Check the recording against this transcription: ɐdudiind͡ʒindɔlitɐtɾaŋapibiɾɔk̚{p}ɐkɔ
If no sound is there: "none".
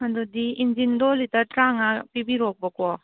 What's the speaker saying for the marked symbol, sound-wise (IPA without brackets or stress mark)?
b